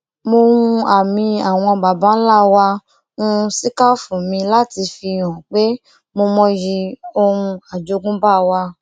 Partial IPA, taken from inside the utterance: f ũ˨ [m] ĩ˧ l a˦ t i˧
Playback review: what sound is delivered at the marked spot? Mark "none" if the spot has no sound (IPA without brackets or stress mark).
m